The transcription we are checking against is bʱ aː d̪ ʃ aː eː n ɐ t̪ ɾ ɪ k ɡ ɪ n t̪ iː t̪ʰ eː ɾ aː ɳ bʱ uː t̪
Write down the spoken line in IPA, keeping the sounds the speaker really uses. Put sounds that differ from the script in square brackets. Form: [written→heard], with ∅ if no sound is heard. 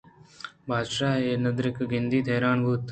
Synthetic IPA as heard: bʱ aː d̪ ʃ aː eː n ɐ [t̪→d̪] ɾ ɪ k ɡ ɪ n [t̪→d̪] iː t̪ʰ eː ɾ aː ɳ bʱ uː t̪